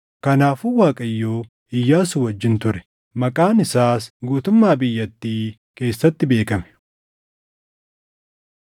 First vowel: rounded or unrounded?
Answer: unrounded